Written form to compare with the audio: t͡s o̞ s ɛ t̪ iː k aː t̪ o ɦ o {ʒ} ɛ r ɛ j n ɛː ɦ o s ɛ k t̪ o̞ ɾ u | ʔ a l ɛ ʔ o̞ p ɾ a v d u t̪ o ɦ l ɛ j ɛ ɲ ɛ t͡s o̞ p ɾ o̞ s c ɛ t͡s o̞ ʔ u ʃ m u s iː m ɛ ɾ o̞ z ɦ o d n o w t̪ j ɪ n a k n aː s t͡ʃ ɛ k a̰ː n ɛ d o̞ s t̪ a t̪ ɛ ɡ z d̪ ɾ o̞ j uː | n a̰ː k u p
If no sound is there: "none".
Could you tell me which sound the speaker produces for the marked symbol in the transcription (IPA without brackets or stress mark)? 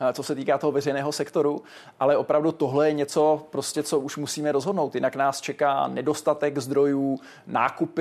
v